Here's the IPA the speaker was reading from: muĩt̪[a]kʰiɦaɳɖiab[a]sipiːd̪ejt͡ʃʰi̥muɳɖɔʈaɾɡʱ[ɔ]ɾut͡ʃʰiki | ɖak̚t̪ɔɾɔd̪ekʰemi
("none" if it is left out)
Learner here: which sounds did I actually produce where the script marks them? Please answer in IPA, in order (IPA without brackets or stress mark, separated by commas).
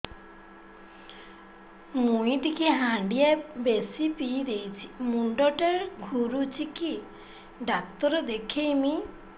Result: i, e, u